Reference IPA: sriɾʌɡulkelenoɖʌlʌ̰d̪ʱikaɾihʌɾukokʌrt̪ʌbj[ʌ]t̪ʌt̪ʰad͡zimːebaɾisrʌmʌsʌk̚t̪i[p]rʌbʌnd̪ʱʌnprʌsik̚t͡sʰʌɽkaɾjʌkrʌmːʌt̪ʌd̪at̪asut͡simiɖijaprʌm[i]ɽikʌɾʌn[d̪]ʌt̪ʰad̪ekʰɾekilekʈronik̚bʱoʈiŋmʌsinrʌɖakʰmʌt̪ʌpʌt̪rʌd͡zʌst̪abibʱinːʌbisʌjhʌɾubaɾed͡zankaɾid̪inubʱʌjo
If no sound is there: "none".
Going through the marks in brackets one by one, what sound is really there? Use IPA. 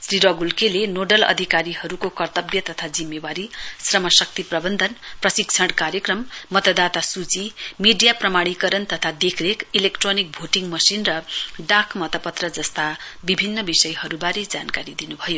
ʌ, p, a, t̪

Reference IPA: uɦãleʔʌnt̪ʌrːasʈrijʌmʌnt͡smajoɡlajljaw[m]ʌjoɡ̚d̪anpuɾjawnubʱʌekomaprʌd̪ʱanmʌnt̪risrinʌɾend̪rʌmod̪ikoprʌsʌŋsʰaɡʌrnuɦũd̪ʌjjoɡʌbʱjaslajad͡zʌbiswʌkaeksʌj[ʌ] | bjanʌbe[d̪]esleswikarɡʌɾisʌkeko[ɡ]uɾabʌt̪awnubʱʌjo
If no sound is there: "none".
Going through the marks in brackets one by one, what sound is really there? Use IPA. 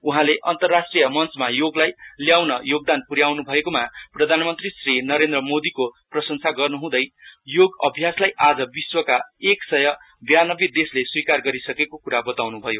n, ʌ, d̪, k

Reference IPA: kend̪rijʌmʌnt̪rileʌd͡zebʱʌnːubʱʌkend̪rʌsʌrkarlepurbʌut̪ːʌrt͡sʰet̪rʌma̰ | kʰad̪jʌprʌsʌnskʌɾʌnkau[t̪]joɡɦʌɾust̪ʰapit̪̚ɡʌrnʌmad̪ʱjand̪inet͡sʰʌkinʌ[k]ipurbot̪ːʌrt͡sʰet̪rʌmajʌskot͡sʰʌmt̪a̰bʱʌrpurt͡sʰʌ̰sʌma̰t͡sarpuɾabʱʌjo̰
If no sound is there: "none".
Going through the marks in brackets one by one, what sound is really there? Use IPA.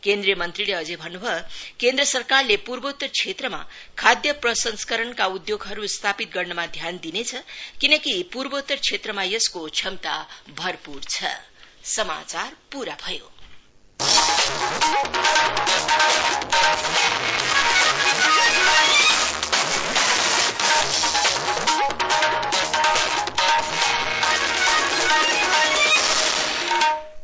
d̪, k

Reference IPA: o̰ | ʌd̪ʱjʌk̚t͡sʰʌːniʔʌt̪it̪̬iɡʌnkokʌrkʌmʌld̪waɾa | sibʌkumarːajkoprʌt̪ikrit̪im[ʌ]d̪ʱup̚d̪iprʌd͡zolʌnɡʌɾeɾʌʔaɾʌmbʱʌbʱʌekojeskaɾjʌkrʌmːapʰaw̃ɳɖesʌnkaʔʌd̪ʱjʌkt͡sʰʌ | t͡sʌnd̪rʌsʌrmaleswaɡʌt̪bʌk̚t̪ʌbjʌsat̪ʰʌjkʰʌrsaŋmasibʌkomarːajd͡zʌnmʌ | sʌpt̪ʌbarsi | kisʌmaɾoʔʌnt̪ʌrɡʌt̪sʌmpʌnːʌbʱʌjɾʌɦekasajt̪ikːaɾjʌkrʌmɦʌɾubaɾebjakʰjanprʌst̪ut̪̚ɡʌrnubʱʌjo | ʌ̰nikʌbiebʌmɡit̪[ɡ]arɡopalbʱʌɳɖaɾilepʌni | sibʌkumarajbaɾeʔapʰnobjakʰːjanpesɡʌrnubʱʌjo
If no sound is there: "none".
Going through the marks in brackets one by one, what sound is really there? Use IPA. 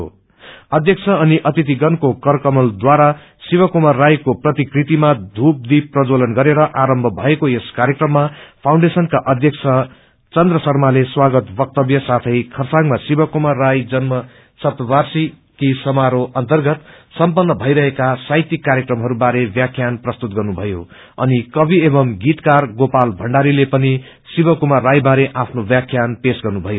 a, k

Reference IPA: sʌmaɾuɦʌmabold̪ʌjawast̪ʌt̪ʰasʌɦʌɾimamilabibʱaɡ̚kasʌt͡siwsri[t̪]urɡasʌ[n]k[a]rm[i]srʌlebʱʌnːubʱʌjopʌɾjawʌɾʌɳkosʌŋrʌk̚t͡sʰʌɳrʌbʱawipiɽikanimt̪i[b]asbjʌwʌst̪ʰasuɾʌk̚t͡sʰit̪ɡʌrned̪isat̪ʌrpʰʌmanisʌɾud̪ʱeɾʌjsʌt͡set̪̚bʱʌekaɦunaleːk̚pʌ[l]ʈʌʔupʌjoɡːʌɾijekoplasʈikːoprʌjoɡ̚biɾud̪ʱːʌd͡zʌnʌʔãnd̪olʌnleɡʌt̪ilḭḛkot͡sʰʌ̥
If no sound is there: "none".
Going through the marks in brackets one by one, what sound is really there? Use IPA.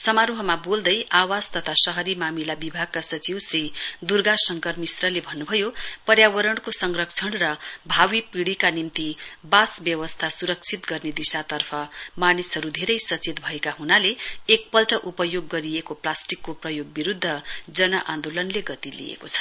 d̪, ŋ, ʌ, i, b, l

